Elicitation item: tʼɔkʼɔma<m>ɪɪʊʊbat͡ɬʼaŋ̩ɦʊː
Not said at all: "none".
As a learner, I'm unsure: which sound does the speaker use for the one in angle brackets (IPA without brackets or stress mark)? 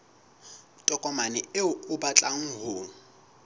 n